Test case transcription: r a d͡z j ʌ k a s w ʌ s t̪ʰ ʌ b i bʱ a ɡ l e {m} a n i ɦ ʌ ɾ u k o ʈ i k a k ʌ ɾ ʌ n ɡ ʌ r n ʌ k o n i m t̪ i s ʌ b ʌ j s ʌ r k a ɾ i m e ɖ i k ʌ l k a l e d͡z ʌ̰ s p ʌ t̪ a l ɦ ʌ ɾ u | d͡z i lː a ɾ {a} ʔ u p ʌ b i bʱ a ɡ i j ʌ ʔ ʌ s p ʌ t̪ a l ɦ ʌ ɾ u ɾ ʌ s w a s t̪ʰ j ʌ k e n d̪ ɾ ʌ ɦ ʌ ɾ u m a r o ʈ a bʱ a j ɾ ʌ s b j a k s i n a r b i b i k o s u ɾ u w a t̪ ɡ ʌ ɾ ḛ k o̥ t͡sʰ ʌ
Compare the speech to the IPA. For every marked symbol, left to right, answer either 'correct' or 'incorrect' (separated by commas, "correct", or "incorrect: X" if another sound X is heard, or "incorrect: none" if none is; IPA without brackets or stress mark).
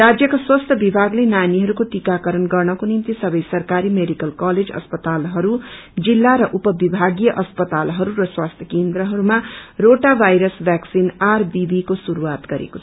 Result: incorrect: n, incorrect: ʌ